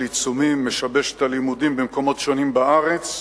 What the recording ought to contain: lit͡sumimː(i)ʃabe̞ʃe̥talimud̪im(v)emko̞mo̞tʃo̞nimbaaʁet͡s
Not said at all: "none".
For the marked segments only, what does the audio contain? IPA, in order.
e, b

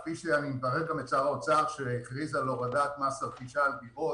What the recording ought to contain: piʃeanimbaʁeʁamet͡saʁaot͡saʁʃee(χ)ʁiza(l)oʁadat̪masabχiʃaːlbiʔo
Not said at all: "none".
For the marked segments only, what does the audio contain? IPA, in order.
χ, l

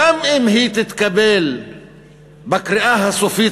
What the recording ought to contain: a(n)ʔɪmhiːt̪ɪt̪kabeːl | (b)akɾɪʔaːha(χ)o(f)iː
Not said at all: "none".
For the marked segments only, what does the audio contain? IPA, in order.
m, b, s, f

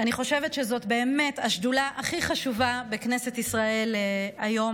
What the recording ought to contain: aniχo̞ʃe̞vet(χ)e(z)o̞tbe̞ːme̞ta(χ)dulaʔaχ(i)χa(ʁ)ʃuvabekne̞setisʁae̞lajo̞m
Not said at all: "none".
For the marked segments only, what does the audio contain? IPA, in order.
ʃ, z, ʃ, i, none

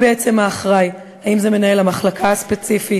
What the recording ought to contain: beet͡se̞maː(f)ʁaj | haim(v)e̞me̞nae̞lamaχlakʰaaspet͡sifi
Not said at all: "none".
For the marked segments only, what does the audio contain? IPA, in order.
χ, z

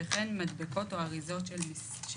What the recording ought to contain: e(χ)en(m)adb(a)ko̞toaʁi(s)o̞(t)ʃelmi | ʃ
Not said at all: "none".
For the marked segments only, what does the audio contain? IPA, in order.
χ, m, e, z, t

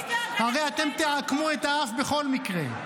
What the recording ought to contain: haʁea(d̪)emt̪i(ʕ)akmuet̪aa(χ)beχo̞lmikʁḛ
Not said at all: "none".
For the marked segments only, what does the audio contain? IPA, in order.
t̪, ʕ, f

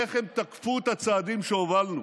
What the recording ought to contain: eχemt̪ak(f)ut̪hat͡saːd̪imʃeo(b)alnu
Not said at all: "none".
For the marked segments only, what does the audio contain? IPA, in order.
f, v

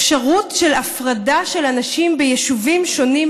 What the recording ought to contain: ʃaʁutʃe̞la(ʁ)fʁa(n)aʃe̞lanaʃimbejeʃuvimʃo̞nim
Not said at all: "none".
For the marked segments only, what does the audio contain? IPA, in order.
none, d

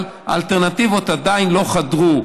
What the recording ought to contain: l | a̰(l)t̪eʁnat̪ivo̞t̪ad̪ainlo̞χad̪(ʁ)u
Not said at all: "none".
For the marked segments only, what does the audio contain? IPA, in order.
l, ʁ

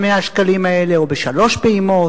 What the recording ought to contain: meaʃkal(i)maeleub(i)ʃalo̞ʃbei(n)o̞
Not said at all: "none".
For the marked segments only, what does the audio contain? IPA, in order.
i, e, m

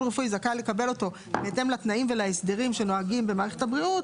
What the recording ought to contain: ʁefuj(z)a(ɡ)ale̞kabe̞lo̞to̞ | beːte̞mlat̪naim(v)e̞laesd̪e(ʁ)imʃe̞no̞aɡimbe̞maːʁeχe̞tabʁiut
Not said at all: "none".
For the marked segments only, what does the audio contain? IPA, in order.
z, k, v, ʁ

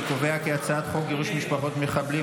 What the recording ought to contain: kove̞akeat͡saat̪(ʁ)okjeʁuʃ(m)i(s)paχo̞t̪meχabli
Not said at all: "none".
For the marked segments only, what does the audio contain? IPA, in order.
χ, m, ʃ

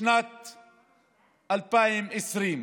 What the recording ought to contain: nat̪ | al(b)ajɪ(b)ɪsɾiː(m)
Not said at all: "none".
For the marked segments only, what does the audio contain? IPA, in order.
p, m, m

